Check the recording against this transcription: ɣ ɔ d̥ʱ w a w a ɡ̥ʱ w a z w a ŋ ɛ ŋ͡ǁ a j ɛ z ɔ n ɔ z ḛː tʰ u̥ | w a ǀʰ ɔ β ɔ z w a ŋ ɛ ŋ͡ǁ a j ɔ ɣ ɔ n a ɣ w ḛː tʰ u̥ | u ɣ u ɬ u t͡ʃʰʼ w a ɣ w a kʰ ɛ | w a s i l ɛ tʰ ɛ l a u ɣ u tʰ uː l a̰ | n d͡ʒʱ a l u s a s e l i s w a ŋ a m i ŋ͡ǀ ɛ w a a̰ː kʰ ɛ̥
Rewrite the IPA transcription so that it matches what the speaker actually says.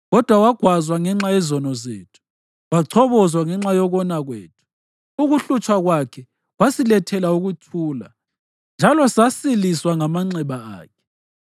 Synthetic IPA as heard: ɣ ɔ d̥ʱ w a w a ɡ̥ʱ w a z w a ŋ ɛ ŋ͡ǁ a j ɛ z ɔ n ɔ z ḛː tʰ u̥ | w a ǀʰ ɔ β ɔ z w a ŋ ɛ ŋ͡ǁ a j ɔ ɣ ɔ n a ɣ w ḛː tʰ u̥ | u ɣ u ɬ u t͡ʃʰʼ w a ɣ w a kʰ ɛ | w a s i l ɛ tʰ ɛ l a u ɣ u tʰ uː l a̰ | n d͡ʒʱ a l ɔ s a s i l i s w a ŋ a m a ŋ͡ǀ ɛ β a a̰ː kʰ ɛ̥